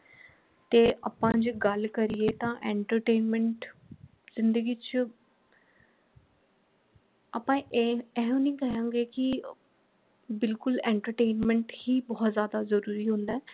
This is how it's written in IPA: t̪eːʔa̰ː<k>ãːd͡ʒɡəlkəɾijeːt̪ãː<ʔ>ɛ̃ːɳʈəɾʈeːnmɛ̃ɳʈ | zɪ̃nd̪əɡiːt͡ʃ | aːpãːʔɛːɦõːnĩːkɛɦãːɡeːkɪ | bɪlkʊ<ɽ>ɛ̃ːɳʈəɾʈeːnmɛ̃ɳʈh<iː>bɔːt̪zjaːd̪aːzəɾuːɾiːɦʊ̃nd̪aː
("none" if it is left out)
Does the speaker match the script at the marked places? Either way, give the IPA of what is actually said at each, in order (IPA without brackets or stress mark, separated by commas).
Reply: p, ʔ, l, iː